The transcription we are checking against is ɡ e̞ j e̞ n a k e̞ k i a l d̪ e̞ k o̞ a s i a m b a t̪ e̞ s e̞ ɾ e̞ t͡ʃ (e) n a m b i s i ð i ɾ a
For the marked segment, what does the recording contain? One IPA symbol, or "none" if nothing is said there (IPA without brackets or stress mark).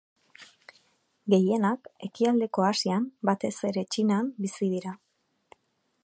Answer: i